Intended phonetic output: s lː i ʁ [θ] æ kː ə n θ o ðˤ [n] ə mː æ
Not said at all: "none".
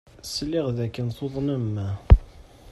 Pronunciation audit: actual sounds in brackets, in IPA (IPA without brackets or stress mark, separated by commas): ð, n